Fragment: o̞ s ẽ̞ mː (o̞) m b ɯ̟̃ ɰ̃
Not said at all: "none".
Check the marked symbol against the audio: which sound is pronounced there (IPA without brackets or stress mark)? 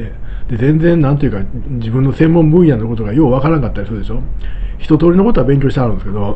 õ̞